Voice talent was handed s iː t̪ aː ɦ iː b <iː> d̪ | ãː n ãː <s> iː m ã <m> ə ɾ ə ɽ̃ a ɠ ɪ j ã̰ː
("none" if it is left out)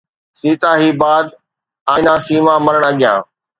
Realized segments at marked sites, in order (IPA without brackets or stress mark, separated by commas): aː, s, m